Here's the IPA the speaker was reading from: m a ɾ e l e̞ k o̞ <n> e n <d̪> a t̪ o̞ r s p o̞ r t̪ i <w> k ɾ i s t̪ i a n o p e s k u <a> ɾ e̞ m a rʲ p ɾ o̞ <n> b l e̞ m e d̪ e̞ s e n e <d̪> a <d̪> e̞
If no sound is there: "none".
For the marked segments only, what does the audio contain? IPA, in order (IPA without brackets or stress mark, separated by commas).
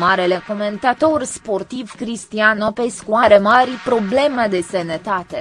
m, t̪, v, a, none, t̪, t̪